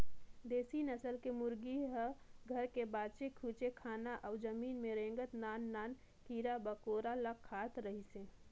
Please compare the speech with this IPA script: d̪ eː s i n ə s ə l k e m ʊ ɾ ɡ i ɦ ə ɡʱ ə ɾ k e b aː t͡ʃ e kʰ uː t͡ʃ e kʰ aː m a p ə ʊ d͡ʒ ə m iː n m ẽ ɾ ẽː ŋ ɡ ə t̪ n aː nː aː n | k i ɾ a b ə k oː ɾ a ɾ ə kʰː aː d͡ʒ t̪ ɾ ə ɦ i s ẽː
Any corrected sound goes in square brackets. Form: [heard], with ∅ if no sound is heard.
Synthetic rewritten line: d̪ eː s i n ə s ə l k e m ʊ ɾ ɡ i ɦ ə ɡʱ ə ɾ k e b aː t͡ʃ e kʰ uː t͡ʃ e kʰ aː [n] a [ʔ] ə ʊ d͡ʒ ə m iː n m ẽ ɾ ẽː ŋ ɡ ə t̪ n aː nː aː n | k i ɾ a b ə k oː ɾ a [l] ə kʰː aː [∅] t̪ ɾ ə ɦ i s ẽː